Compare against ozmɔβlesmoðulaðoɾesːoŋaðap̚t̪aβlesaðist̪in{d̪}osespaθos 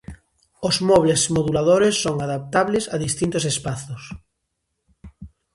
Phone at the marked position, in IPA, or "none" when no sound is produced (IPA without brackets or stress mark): t̪